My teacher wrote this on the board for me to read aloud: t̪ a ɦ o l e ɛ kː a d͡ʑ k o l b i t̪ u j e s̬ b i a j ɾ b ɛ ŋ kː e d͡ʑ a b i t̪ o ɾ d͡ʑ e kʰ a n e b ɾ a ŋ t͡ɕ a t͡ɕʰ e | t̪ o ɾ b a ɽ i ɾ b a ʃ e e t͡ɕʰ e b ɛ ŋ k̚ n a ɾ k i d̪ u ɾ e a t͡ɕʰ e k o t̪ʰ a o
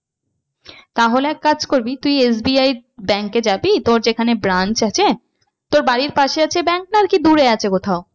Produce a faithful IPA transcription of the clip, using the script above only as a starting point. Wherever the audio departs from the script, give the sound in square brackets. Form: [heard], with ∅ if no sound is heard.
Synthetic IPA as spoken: t̪ a ɦ o l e ɛ kː a d͡ʑ k o [ɾ] b i t̪ u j e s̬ b i a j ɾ b ɛ ŋ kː e d͡ʑ a b i t̪ o ɾ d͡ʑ e kʰ a n e b ɾ a [n] t͡ɕ a t͡ɕʰ e | t̪ o ɾ b a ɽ i ɾ [p] a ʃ e [a] t͡ɕʰ e b ɛ ŋ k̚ n a ɾ k i d̪ u ɾ e a t͡ɕʰ e k o t̪ʰ a o